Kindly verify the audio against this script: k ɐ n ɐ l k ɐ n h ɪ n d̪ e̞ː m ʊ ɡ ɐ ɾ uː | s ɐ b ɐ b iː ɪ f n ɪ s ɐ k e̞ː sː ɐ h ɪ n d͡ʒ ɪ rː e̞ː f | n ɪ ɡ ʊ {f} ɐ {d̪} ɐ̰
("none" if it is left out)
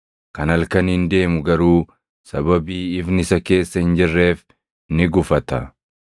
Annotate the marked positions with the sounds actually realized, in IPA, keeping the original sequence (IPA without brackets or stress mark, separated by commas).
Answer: f, t̪